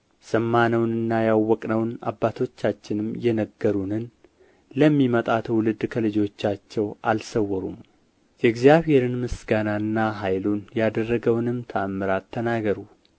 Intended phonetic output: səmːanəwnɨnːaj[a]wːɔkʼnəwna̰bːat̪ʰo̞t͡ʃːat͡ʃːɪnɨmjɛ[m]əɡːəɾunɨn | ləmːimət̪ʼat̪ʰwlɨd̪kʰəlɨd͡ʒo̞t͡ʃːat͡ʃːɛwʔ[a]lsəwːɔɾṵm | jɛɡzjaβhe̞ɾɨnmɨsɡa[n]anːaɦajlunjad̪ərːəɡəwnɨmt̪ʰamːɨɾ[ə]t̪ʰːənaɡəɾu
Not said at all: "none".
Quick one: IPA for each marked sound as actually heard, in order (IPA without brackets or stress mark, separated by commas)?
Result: a, n, a, n, a